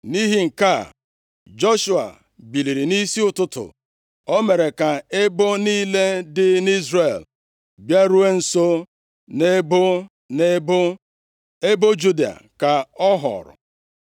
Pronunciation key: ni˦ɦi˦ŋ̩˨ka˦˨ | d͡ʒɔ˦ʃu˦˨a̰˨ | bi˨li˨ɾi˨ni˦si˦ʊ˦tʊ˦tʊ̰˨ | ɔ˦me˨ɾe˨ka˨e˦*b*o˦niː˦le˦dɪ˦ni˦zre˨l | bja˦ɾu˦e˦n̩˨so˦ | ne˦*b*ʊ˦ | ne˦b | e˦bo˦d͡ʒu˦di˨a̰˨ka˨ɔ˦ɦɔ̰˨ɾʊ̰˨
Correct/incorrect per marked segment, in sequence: correct, correct

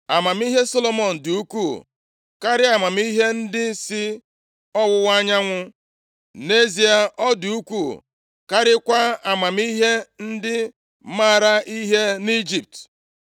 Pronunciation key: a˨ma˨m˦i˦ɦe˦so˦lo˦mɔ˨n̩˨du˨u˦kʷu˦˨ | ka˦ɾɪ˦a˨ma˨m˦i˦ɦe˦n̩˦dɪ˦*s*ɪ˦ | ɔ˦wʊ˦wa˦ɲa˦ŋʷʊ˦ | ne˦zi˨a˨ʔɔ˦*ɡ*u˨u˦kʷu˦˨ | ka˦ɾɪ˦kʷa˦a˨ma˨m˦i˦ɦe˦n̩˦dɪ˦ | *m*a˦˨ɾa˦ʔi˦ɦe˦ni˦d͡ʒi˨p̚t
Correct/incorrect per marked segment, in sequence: correct, incorrect: d, correct

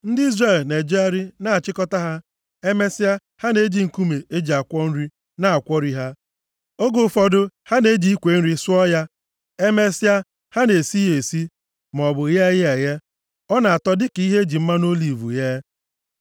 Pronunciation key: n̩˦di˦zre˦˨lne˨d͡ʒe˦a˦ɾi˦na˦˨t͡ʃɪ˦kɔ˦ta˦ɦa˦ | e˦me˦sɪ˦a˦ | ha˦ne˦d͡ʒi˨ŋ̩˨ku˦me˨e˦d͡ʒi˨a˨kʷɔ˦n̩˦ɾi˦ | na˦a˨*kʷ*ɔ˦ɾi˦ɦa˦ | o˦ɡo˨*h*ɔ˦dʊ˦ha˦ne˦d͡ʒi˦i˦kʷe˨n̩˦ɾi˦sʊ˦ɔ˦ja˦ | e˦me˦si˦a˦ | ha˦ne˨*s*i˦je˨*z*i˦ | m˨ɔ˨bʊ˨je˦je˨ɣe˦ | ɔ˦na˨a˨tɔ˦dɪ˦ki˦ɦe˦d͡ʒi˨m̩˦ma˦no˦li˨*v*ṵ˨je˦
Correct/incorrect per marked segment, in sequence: correct, incorrect: f, correct, incorrect: s, correct

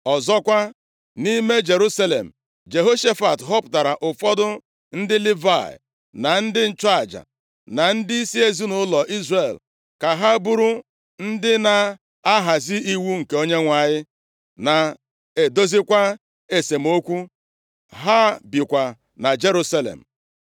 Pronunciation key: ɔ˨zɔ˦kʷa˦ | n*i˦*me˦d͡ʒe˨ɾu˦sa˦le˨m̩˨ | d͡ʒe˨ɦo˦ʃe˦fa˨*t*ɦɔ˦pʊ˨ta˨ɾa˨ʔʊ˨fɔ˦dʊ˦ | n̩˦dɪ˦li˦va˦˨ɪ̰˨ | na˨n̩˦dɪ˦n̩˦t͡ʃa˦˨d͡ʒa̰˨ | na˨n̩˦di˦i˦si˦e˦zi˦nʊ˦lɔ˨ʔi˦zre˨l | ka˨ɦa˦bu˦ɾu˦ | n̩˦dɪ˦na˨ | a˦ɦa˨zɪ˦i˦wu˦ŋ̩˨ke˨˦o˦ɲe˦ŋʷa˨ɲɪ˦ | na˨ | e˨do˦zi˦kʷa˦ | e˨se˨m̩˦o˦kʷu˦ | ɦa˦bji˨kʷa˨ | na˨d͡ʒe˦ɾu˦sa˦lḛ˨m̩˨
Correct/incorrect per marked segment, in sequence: correct, correct

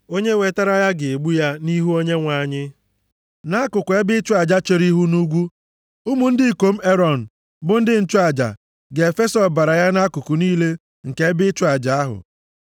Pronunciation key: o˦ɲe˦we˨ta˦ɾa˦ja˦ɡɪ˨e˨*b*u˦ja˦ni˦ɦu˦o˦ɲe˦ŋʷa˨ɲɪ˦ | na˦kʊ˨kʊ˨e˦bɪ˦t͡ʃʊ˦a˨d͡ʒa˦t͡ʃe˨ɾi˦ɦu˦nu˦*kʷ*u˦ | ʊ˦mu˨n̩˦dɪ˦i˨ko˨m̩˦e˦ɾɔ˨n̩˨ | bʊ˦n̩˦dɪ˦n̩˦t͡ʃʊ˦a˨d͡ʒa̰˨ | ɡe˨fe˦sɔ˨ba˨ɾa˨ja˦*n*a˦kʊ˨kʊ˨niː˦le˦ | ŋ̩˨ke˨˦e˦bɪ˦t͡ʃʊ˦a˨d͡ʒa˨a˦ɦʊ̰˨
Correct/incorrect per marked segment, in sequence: incorrect: ɡ͡b, incorrect: ɡʷ, correct

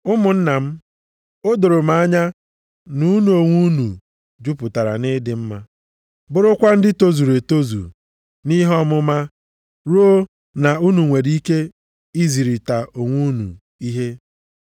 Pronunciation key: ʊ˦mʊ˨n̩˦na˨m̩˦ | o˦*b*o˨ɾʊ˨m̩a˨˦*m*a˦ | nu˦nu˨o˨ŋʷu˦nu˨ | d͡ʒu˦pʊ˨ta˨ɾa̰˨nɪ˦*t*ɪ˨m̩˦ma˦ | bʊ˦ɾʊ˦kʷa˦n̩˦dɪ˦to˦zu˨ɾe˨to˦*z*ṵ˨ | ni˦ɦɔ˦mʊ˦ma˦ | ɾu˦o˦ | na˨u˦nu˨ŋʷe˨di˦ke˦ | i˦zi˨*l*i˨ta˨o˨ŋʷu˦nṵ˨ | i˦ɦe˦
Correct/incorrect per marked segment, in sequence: incorrect: d, incorrect: ɲ, incorrect: d, correct, incorrect: ɾ

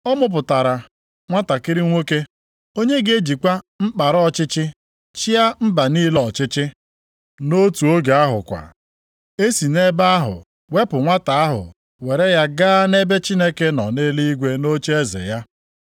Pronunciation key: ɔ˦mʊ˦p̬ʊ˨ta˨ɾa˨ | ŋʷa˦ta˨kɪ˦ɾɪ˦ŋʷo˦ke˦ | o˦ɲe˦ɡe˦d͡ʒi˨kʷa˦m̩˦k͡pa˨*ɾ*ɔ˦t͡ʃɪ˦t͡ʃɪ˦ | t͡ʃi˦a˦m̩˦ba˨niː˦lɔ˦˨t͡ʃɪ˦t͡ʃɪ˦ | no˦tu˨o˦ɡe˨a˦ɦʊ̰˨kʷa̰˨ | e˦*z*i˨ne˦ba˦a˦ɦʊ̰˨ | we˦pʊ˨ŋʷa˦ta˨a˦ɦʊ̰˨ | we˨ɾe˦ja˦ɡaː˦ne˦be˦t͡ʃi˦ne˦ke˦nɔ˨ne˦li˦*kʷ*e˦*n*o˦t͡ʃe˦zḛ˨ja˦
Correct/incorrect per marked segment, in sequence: correct, incorrect: s, incorrect: ɡʷ, correct

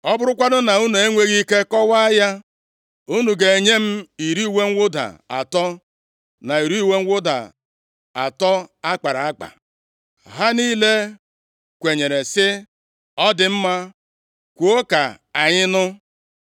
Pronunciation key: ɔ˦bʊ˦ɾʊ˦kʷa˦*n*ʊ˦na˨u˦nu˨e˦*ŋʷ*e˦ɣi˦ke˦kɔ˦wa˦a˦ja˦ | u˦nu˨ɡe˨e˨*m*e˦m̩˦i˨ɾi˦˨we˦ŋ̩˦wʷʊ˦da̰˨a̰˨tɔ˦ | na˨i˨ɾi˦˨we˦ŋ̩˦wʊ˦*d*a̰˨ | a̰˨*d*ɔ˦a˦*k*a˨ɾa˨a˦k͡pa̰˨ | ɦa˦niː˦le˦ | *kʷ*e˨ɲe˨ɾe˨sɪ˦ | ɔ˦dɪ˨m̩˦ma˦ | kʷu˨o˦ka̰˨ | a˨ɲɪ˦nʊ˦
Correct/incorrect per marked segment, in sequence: incorrect: d, correct, incorrect: ɲ, correct, incorrect: t, incorrect: k͡p, correct

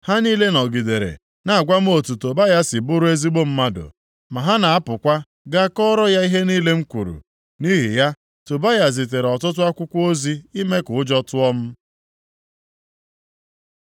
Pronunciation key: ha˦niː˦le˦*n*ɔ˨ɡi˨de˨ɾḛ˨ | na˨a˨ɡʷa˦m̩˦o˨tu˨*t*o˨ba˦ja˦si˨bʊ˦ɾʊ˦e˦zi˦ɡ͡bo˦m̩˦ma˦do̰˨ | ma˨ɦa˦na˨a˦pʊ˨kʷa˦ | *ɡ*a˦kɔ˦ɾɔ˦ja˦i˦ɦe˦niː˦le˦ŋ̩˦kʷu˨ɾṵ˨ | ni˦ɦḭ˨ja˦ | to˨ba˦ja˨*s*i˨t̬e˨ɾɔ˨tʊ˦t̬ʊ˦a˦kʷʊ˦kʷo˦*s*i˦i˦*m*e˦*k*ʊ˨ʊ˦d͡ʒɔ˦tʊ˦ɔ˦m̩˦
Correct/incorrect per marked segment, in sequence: correct, correct, correct, incorrect: z, incorrect: z, correct, correct

